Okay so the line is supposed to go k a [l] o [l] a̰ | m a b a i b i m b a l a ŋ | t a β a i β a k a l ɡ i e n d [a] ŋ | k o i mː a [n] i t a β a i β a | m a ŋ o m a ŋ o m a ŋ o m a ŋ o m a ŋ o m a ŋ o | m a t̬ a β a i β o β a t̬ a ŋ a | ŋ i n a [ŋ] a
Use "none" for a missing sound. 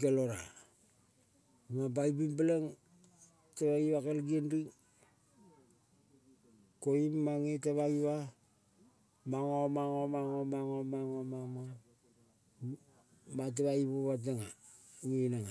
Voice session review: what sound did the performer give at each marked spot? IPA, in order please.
l, ɾ, i, ŋ, ŋ

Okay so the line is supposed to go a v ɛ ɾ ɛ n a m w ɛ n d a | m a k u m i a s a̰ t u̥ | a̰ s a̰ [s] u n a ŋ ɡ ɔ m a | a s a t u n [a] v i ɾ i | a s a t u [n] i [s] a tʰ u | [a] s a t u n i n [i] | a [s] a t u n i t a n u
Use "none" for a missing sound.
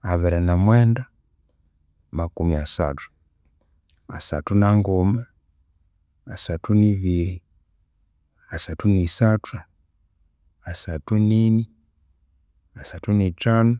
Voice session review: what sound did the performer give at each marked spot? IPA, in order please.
t, i, n, s, a, i, s

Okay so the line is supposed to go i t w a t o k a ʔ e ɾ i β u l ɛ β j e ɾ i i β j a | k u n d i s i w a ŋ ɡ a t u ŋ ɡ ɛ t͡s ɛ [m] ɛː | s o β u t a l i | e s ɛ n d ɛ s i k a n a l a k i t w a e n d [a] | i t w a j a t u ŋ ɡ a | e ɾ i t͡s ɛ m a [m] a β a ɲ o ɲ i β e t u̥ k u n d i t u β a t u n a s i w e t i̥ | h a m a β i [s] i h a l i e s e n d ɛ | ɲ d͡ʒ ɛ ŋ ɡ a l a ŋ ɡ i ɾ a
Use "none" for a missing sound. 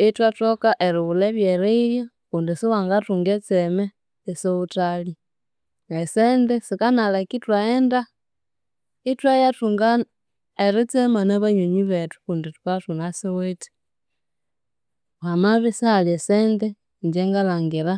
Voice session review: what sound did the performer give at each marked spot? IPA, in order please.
m, a, n, s

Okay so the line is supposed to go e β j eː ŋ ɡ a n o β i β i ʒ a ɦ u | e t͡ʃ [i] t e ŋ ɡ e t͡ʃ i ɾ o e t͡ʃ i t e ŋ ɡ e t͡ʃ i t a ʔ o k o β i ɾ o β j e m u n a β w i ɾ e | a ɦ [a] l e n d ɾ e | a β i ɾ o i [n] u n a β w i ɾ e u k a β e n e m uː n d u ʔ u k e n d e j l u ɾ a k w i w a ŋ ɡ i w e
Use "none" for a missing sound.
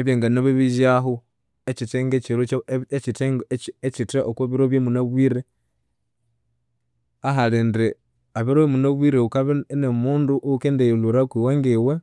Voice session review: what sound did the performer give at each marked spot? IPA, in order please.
i, a, m

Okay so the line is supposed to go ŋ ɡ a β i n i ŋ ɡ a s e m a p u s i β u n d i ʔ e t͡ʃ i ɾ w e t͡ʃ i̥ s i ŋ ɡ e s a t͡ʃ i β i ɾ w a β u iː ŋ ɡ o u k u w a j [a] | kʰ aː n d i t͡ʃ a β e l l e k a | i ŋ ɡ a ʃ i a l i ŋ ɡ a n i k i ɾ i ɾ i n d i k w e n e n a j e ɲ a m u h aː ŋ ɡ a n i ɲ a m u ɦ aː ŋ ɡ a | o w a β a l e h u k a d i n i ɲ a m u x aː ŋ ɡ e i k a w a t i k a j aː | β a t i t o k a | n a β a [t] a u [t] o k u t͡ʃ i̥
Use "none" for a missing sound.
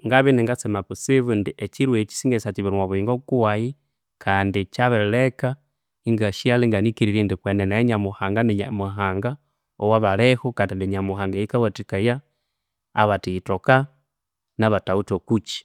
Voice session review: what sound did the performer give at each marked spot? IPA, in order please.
i, t, t

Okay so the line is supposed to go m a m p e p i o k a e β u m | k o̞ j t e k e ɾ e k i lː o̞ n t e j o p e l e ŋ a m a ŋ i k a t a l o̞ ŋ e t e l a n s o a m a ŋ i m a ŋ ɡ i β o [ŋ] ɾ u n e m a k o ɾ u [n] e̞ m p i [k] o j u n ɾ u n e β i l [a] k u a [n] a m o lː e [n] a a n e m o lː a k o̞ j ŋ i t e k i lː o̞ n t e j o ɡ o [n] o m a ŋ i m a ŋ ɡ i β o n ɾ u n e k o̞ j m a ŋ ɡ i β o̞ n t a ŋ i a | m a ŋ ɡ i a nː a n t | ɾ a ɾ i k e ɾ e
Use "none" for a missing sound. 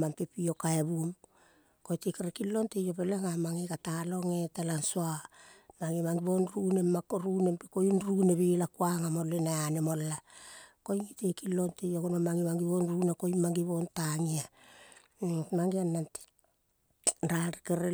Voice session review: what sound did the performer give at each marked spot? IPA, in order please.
n, n, k, a, ŋ, n, n

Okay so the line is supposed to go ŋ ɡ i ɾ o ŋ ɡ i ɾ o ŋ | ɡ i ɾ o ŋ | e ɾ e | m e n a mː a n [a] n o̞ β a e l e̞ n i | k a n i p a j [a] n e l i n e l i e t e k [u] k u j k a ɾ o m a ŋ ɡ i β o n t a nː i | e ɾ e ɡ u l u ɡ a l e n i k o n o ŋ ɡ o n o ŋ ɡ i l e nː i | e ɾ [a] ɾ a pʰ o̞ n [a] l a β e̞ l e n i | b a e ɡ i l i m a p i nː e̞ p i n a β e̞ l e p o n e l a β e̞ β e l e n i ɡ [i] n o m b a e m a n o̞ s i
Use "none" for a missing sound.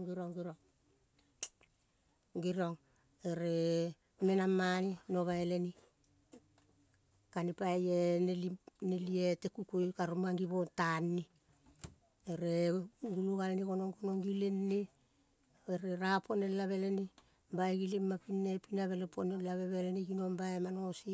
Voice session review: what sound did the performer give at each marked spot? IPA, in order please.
i, e, u, e, e, i

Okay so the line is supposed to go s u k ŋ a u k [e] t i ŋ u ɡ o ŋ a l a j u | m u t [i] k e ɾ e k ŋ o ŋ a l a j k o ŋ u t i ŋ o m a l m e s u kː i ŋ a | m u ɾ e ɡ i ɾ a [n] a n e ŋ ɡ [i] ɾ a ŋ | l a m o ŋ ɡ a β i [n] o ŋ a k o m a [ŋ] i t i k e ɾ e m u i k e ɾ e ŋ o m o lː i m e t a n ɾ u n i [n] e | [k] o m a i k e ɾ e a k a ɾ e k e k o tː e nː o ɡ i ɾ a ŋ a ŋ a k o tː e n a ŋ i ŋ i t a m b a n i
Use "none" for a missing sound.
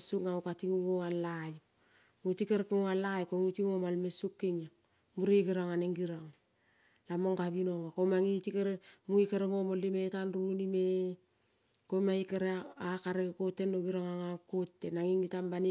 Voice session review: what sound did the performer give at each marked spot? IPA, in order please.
a, i, ŋ, i, n, ŋ, m, k

